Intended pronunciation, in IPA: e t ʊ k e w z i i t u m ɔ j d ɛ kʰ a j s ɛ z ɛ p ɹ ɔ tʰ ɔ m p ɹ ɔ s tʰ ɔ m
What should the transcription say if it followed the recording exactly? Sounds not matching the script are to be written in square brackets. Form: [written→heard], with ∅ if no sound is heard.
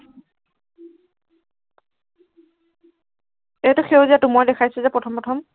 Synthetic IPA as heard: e t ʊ [k→x] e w z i [i→a] t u m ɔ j d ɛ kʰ a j s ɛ z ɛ p ɹ ɔ tʰ ɔ m p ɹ ɔ [s→∅] tʰ ɔ m